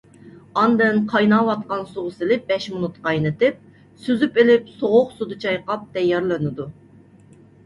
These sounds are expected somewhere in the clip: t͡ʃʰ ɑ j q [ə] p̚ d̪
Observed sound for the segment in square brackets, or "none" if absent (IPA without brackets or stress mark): ɑ